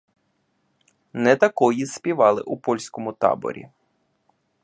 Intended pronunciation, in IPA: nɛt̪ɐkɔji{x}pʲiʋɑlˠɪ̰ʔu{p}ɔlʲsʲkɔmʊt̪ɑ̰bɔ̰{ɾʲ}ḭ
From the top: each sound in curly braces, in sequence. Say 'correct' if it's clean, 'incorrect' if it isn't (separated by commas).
incorrect, correct, correct